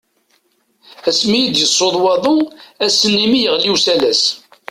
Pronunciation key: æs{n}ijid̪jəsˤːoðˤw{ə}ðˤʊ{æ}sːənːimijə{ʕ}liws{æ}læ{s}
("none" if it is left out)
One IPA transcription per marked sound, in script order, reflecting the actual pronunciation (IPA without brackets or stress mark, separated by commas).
m, ɑ, æ, ʁ, æ, s